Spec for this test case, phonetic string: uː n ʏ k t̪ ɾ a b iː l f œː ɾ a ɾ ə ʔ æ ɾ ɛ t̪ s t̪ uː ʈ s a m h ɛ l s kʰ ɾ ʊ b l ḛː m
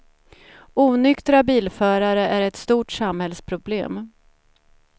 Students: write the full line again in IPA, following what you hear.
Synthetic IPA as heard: uː n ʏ k t̪ ɾ a b iː l f œː ɾ a ɾ ə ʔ æ ɾ ɛ t̪ s t̪ uː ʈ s a m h ɛ l s pʰ ɾ ʊ b l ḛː m